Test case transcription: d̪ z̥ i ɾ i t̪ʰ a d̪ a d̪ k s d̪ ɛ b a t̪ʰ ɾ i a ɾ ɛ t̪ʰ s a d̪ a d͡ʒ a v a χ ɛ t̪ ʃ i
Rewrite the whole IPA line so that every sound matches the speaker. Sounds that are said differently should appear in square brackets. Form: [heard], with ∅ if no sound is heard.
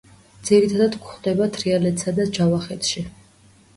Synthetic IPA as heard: d̪ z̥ i ɾ i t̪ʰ a d̪ a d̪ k [χ] d̪ ɛ b a t̪ʰ ɾ i a [l] ɛ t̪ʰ s a d̪ a d͡ʒ a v a χ ɛ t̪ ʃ i